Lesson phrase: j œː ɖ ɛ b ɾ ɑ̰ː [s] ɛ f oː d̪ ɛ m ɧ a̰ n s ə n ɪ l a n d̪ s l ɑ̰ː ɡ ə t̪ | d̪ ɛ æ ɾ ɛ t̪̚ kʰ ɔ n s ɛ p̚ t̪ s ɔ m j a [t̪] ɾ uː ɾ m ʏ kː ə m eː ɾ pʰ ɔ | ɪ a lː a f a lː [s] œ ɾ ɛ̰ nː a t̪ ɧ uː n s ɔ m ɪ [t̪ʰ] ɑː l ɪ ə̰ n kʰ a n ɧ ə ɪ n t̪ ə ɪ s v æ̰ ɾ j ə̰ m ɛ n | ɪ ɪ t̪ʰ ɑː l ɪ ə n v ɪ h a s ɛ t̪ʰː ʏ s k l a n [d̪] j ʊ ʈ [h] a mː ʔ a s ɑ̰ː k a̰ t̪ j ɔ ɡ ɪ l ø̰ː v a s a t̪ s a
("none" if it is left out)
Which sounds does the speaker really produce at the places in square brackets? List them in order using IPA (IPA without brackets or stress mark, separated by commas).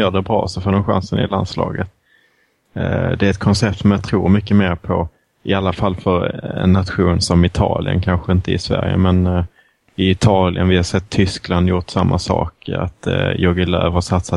s, t̪ʰ, f, t̪ʰ, d̪, s